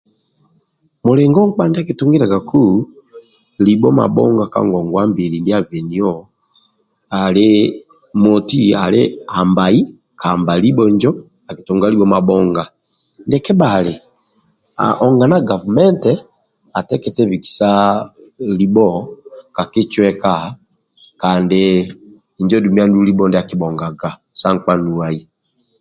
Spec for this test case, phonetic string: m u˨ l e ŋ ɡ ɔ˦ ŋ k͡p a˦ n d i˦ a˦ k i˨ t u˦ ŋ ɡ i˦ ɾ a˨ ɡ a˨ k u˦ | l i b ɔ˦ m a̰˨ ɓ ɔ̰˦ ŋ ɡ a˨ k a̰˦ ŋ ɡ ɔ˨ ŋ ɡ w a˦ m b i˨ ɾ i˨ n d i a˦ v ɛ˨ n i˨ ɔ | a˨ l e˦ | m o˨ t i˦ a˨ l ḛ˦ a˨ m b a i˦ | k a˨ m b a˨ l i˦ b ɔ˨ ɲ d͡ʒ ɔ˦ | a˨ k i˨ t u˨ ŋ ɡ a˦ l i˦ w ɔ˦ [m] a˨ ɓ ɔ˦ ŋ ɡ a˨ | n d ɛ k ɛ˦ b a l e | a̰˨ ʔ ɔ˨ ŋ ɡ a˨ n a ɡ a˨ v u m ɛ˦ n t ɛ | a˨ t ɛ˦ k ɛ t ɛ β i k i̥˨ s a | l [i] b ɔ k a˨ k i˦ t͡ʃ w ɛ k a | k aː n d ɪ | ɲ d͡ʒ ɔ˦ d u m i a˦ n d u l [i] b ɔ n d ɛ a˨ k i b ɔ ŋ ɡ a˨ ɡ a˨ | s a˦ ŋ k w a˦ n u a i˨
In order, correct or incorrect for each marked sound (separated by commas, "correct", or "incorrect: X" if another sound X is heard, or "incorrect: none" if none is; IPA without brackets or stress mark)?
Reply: correct, correct, correct